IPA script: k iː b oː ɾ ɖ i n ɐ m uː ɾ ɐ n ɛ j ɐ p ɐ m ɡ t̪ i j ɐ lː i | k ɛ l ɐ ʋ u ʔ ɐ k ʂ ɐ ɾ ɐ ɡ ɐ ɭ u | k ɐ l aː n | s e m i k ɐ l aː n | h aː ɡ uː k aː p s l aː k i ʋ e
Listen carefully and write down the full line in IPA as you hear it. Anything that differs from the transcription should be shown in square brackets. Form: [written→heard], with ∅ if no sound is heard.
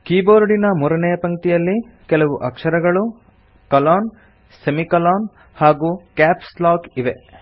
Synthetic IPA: k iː b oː ɾ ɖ i n ɐ m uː ɾ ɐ n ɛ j ɐ p ɐ [m→ŋ] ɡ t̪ i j ɐ lː i | k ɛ l ɐ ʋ u ʔ ɐ k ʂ ɐ ɾ ɐ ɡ ɐ ɭ u | k ɐ l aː n | s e m i k ɐ l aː n | h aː ɡ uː k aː p s l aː k i ʋ e

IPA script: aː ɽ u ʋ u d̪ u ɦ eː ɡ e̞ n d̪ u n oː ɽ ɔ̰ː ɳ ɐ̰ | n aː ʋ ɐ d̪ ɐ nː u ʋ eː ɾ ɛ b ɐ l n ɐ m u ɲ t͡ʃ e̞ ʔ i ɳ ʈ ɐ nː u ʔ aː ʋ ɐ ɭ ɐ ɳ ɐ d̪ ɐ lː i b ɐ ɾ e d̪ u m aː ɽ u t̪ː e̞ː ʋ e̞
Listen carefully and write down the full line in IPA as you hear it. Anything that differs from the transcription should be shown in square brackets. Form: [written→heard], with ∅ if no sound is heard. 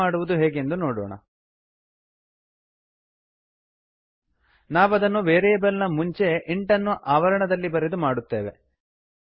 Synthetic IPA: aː ɽ u ʋ u d̪ u ɦ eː ɡ e̞ n d̪ u n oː ɽ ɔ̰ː ɳ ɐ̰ | n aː ʋ ɐ d̪ ɐ nː u ʋ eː ɾ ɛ b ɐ l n ɐ m u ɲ t͡ʃ e̞ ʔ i ɳ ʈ ɐ nː u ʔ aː ʋ ɐ [ɭ→ɾ] ɐ ɳ ɐ d̪ ɐ lː i b ɐ ɾ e d̪ u m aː ɽ u t̪ː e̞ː ʋ e̞

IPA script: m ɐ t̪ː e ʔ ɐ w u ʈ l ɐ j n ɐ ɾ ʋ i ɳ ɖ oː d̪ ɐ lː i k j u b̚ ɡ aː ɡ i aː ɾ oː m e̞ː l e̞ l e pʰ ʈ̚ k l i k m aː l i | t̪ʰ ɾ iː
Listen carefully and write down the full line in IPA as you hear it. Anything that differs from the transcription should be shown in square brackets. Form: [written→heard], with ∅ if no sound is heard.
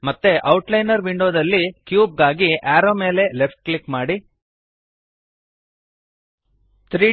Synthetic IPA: m ɐ t̪ː e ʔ ɐ w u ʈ l ɐ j n ɐ ɾ ʋ i ɳ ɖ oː d̪ ɐ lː i k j [u→uː] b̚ ɡ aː ɡ i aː ɾ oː m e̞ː l e̞ l e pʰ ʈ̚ k l i k m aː [l→ɽ] i | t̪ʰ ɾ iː

